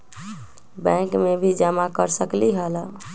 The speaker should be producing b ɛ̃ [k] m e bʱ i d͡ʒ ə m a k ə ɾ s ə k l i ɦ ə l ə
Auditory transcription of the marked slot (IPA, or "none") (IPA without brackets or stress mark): k